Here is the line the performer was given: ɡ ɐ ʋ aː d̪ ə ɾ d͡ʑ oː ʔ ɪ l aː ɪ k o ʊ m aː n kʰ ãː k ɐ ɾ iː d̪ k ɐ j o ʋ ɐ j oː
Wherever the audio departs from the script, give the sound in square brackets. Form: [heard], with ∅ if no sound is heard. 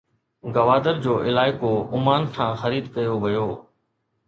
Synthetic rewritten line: ɡ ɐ ʋ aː d̪ ə ɾ d͡ʑ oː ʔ ɪ l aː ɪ k o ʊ m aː n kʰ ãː [x] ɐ ɾ iː d̪ k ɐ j o ʋ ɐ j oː